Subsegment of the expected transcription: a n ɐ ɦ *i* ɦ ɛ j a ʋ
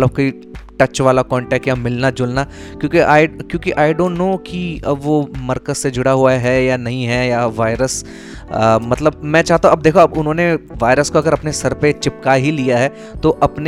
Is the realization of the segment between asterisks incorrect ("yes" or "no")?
yes